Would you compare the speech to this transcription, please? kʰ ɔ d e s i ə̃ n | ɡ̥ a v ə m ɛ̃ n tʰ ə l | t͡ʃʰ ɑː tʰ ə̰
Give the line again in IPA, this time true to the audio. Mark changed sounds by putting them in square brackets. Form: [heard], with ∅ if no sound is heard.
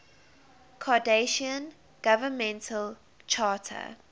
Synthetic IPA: kʰ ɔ d e [ʃ] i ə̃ n | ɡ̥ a v ə m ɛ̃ n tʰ ə l | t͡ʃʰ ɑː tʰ ə̰

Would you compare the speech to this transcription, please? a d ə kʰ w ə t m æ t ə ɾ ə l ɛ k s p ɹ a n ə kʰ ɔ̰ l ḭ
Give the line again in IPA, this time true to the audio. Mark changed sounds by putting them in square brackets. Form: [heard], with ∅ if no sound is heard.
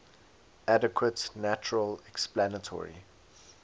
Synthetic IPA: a d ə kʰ w ə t [n] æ [t͡ʃ] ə [ɹ] ə l ɛ k s p [l] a n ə [tʰ] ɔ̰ [ɹ] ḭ

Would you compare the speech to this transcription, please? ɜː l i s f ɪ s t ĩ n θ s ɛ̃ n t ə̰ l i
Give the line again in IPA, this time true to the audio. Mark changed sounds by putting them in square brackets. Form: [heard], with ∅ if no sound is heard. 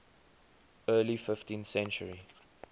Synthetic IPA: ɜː l i [∅] f ɪ [f] t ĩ n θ s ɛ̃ n [t͡ʃ] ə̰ [ɹ] i

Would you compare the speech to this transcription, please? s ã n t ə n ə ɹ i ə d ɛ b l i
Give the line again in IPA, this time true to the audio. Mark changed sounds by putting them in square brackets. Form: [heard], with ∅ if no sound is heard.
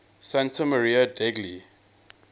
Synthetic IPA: s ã n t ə [m] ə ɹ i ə d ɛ [ɡ] l i

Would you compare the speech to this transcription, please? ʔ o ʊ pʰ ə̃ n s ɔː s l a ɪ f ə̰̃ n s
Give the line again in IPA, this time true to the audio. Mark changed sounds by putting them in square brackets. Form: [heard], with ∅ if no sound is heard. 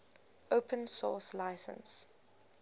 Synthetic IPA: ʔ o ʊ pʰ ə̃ n s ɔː s l a ɪ [s] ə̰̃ n s

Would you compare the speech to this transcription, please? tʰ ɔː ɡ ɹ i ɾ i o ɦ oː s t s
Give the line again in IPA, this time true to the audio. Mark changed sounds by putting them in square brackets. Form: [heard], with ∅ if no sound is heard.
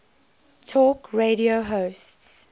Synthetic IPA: tʰ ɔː [k] ɹ [e] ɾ i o ɦ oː s t s

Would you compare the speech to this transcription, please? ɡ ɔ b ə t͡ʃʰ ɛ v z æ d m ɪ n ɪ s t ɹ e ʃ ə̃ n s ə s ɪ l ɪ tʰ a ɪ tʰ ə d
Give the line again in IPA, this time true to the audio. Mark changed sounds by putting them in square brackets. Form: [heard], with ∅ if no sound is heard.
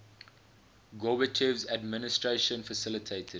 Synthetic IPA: ɡ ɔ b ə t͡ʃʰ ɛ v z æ d m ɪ n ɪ s t ɹ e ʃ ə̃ n [f] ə s ɪ l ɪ tʰ [e] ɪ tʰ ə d

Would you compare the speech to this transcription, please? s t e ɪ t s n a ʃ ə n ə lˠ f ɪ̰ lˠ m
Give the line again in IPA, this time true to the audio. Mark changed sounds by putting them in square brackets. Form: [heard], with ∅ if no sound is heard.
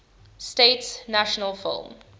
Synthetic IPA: s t e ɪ t s n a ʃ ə n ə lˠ f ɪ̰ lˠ m

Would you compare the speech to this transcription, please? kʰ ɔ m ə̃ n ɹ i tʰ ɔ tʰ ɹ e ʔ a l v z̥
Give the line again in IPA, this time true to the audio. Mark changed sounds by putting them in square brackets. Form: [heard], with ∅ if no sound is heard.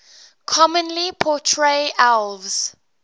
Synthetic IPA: kʰ ɔ m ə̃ n [l] i [pʰ] ɔ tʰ ɹ e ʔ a l v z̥

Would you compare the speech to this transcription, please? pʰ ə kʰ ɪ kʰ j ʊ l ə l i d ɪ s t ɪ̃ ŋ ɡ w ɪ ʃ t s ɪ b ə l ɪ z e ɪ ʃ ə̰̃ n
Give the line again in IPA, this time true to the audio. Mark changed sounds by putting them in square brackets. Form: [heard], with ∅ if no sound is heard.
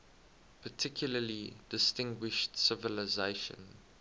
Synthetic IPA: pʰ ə [tʰ] ɪ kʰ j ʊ l ə l i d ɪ s t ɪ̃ ŋ ɡ w ɪ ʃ t s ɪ [v] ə l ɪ z e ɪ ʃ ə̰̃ n

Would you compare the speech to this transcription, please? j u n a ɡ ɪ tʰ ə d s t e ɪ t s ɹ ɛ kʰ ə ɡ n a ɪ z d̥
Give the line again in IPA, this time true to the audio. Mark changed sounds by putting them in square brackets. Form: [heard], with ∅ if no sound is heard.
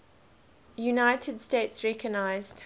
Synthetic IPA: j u n a [∅] ɪ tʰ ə d s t e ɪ t s ɹ ɛ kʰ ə ɡ n a ɪ z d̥

